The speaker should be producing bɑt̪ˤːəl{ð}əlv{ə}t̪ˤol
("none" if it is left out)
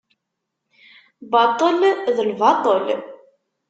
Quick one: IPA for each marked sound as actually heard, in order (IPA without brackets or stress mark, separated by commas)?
ð, ɑ